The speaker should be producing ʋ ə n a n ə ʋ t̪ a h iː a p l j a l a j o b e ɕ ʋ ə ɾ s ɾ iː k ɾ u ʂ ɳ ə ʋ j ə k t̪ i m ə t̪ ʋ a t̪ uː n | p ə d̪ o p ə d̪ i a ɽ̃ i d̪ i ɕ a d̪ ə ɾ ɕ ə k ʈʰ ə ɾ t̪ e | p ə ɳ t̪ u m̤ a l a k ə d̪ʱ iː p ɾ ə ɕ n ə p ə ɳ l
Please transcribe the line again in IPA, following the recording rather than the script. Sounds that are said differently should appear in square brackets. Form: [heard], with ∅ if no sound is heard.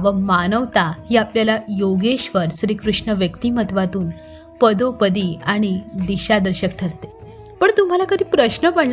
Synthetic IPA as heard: ʋ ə [m] a n ə ʋ t̪ a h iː a p l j a l a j o [ɡ] e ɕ ʋ ə ɾ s ɾ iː k ɾ u ʂ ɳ ə ʋ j ə k t̪ i m ə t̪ ʋ a t̪ uː n | p ə d̪ o p ə d̪ i a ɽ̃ i d̪ i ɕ a d̪ ə ɾ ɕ ə k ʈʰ ə ɾ t̪ e | p ə ɳ t̪ u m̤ a l a k ə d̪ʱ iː p ɾ ə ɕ n ə p ə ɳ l